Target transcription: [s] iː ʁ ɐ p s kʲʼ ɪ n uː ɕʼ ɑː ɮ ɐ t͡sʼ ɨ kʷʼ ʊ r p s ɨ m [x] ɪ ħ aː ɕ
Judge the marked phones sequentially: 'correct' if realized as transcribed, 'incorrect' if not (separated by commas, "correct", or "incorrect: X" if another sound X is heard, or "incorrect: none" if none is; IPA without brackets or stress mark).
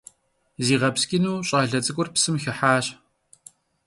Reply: incorrect: z, correct